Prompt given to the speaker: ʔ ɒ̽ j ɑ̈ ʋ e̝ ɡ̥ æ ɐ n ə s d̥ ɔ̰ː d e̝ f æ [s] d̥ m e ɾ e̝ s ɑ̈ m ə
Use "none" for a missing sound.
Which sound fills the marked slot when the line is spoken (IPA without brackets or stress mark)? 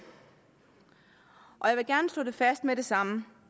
s